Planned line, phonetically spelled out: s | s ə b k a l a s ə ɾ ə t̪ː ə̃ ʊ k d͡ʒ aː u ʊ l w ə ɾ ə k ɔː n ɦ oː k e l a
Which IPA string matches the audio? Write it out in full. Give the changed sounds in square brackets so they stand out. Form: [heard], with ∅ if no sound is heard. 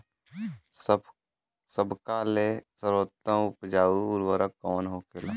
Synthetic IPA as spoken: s | s ə b k a l [e] s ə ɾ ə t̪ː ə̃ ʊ [p] d͡ʒ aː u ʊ [ɾ] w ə ɾ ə k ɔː n ɦ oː k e l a